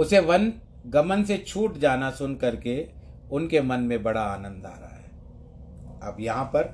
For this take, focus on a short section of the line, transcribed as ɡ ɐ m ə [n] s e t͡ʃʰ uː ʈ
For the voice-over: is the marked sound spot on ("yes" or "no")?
yes